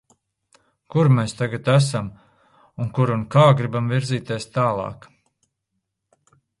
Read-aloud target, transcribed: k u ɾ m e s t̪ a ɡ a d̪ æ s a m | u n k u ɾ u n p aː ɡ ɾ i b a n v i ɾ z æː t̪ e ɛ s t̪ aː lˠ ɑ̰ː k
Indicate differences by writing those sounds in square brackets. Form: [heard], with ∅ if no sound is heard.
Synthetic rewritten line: k u ɾ m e s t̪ a ɡ a [t̪] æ s a m | u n k u ɾ u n [k] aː ɡ ɾ i b a [m] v i ɾ z [iː] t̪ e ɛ s t̪ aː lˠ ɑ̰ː k